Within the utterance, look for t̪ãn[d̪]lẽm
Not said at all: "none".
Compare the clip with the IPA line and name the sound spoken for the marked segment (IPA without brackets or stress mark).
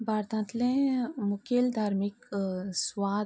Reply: t̪